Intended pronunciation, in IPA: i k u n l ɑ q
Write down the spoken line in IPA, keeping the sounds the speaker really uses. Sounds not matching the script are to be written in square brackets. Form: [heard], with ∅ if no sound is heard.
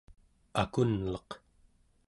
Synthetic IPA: [a] k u n l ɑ q